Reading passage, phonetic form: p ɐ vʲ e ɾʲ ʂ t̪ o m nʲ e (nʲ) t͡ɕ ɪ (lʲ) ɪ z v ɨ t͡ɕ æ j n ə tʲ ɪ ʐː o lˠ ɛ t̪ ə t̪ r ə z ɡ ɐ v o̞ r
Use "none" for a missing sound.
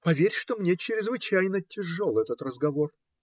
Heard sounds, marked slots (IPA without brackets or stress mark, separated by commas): none, ɾʲ